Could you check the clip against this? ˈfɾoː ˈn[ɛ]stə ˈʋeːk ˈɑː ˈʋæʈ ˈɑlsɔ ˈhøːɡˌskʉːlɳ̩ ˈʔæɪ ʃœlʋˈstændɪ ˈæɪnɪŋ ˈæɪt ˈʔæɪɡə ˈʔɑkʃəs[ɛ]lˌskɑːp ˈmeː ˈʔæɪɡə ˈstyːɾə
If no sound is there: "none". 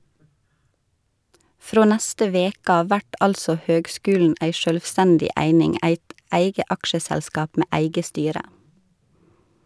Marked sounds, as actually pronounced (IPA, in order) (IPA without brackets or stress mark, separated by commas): æ, æ